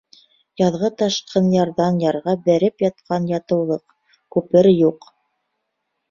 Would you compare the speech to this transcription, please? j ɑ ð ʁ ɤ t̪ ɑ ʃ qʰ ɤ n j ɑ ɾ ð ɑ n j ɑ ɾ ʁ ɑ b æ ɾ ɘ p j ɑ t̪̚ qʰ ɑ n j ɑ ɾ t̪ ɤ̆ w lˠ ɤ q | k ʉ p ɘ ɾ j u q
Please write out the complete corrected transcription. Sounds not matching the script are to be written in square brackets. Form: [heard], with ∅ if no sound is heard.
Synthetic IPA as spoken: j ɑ ð ʁ ɤ t̪ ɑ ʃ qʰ ɤ n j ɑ ɾ ð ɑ n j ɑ ɾ ʁ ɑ b æ ɾ ɘ p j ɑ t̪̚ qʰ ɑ n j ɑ [∅] t̪ ɤ̆ w lˠ ɤ q | k ʉ p ɘ ɾ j u q